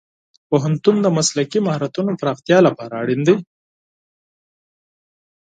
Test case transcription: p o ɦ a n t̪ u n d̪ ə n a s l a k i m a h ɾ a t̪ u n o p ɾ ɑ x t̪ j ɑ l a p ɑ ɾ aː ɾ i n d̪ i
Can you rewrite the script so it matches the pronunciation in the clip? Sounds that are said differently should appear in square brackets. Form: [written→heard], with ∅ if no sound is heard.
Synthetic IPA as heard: p o ɦ a n t̪ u n d̪ ə [n→m] a s l a k i m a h ɾ a t̪ u n o p ɾ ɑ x t̪ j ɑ l a p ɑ ɾ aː [ɾ→ɽ] i n d̪ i